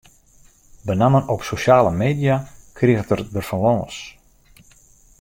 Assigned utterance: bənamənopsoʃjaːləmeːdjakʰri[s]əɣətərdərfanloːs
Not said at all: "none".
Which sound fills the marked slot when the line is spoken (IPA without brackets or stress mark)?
none